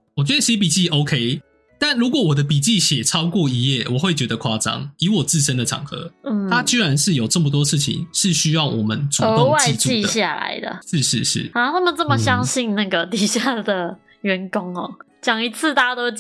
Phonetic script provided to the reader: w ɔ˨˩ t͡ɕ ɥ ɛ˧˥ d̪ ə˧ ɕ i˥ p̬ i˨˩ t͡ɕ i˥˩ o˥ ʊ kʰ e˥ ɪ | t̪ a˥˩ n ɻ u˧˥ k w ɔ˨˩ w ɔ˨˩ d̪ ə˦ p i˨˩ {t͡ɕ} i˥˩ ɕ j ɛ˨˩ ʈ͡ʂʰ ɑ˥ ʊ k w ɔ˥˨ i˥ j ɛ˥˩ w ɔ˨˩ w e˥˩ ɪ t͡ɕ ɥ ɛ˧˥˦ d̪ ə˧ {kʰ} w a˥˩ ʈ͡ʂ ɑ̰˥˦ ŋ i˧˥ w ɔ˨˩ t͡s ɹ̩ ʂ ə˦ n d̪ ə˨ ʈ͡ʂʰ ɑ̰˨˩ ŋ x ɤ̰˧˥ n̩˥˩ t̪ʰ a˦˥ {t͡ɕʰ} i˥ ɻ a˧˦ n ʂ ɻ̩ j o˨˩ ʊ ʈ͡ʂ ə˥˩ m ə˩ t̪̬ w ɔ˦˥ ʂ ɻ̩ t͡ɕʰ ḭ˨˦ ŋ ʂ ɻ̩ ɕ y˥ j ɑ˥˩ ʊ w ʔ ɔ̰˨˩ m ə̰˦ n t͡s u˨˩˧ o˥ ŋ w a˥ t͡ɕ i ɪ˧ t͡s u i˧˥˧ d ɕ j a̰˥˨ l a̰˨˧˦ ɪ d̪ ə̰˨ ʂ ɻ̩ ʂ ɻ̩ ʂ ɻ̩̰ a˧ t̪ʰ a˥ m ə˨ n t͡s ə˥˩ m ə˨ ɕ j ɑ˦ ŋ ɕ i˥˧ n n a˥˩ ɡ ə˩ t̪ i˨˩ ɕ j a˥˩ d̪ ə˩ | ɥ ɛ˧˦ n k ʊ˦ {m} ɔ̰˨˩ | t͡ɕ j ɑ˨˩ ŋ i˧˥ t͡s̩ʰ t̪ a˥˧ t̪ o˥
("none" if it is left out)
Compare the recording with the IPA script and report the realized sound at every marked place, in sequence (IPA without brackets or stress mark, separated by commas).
t͡ɕ, kʰ, t͡ɕ, ŋ